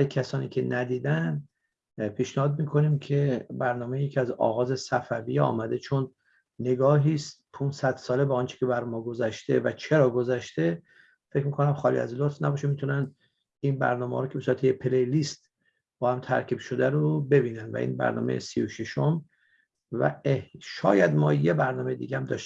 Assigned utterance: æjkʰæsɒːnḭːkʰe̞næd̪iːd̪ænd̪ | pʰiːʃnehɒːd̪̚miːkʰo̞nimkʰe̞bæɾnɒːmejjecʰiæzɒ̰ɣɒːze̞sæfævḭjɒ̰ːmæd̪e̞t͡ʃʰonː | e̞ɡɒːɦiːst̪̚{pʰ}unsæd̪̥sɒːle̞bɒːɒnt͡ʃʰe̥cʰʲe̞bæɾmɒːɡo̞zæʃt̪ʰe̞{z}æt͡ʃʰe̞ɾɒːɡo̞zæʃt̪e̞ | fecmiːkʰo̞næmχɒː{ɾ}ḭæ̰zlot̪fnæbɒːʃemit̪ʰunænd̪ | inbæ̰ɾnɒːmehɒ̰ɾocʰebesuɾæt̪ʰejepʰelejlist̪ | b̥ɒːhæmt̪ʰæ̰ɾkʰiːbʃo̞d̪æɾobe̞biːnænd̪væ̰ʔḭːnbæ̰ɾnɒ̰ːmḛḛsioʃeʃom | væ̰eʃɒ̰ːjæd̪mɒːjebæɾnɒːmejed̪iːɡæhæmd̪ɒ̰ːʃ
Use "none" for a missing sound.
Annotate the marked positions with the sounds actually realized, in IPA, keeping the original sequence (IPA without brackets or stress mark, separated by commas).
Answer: pʰ, v, l